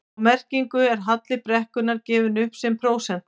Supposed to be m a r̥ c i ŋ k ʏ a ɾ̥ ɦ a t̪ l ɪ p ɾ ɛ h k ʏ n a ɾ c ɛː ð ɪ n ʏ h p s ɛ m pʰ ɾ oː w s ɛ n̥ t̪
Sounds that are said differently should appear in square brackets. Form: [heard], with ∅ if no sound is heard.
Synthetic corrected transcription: m [ɛ] r̥ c i ŋ k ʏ [ɛ] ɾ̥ ɦ a t̪ l ɪ p ɾ ɛ h k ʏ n a ɾ c ɛː [v] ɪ n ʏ h p s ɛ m pʰ ɾ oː w s ɛ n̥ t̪